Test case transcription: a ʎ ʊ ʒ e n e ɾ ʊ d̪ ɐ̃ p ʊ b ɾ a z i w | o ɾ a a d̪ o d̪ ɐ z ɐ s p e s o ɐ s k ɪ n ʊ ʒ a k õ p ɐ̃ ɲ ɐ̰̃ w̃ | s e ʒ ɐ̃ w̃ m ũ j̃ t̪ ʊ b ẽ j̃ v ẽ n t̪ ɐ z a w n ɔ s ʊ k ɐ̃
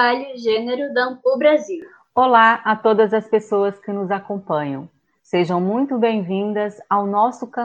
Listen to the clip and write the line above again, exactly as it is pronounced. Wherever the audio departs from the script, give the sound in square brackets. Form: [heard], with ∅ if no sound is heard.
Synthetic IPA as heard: a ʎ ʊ ʒ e n e ɾ ʊ d̪ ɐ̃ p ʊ b ɾ a z i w | o [l] a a [t̪] o d̪ ɐ z ɐ s p e s o ɐ s k ɪ n ʊ [z] a k õ p ɐ̃ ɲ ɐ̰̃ w̃ | s e ʒ ɐ̃ w̃ m ũ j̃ t̪ ʊ b ẽ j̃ v [ĩ] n [d̪] ɐ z a w n ɔ s ʊ k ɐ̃